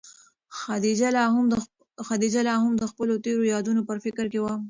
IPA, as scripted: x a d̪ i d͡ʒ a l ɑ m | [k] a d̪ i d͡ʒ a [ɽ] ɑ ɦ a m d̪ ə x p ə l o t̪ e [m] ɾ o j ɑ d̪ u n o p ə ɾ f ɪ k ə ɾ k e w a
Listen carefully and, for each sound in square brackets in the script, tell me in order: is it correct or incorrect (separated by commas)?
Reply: incorrect, incorrect, incorrect